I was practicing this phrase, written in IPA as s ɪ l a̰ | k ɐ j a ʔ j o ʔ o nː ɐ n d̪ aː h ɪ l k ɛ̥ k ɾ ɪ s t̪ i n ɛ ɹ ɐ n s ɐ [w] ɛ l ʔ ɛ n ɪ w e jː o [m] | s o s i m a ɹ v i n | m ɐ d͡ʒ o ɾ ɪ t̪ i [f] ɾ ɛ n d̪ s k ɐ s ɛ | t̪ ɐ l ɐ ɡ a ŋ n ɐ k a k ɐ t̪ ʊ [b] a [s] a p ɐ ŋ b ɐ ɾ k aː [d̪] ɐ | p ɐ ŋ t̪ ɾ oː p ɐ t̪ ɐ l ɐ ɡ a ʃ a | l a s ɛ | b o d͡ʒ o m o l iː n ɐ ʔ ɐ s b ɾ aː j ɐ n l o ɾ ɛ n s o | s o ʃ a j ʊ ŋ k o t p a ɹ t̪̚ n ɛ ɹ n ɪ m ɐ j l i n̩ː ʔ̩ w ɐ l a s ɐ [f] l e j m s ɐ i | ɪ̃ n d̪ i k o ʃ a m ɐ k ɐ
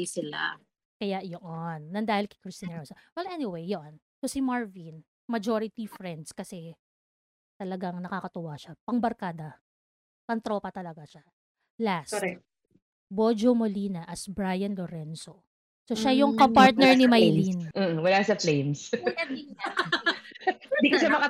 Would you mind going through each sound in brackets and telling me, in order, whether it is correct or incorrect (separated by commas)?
correct, incorrect, correct, incorrect, incorrect, correct, correct